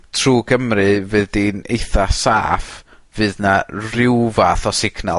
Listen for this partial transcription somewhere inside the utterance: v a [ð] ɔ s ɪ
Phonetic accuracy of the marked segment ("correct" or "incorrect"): incorrect